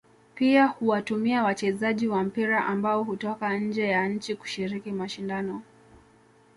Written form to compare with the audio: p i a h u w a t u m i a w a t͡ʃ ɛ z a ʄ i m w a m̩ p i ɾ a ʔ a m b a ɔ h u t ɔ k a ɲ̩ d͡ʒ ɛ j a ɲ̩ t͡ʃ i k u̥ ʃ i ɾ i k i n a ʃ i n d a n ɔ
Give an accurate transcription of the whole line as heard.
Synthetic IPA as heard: p i a h u w a t u m i a w a t͡ʃ ɛ z a ʄ i w a m̩ p i ɾ a ʔ a m b a ɔ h u t ɔ k a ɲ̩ d͡ʒ ɛ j a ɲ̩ t͡ʃ i k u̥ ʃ i ɾ i k i m a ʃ i n d a n ɔ